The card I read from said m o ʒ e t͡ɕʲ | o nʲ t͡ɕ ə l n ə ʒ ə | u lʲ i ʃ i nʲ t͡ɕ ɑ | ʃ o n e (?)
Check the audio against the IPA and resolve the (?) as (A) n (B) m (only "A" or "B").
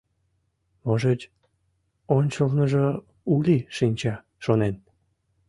A